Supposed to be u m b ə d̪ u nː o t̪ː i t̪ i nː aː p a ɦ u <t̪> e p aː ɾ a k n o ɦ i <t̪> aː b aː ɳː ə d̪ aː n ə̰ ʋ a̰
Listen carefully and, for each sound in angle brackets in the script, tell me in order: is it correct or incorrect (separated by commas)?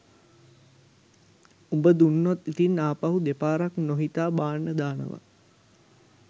incorrect, correct